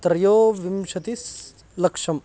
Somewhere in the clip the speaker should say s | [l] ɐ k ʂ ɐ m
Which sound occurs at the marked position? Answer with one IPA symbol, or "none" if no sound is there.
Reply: l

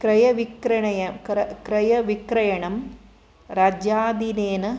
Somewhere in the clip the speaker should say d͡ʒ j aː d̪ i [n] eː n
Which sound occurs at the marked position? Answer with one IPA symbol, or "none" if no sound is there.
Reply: n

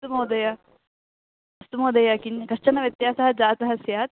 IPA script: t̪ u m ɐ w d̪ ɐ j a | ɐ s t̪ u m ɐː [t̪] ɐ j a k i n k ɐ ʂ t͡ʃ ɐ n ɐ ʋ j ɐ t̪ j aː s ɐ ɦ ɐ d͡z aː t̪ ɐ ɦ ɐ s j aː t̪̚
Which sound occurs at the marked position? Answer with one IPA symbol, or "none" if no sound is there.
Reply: d̪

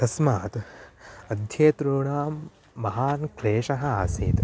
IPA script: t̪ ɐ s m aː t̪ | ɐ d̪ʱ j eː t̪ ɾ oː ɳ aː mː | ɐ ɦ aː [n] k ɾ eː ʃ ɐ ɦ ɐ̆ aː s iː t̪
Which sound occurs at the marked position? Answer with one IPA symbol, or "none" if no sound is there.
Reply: n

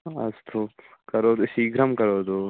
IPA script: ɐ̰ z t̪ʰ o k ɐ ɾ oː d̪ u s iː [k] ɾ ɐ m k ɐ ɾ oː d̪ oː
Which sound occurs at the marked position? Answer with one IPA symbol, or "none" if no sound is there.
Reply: ɡ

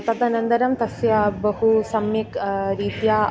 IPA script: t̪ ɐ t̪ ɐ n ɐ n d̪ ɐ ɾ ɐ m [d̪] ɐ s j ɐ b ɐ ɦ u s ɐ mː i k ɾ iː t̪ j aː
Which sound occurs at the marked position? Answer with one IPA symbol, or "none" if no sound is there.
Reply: t̪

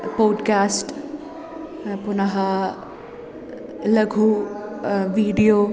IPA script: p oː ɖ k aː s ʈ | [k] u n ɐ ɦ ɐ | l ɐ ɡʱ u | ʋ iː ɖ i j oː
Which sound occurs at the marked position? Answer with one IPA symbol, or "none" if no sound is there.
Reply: p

